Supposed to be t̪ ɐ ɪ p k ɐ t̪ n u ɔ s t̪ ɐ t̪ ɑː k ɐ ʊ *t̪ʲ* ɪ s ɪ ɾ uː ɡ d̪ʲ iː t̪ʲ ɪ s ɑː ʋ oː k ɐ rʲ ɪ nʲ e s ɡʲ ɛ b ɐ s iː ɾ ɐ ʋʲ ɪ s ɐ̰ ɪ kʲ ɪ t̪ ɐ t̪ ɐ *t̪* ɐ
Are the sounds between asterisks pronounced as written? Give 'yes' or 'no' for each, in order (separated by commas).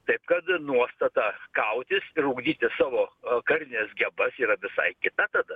yes, no